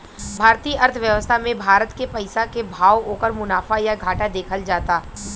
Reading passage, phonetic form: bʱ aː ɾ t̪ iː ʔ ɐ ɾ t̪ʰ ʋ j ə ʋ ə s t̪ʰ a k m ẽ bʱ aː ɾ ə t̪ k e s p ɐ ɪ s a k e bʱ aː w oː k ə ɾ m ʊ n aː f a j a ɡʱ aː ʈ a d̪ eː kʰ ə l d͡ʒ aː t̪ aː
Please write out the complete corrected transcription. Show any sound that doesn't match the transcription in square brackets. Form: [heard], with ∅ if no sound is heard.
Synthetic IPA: bʱ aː ɾ t̪ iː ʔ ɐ ɾ t̪ʰ ʋ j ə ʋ ə s t̪ʰ a [∅] m ẽ bʱ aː ɾ ə t̪ k e [∅] p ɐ ɪ s a k e bʱ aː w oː k ə ɾ m ʊ n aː f a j a ɡʱ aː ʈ a d̪ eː kʰ ə l d͡ʒ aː t̪ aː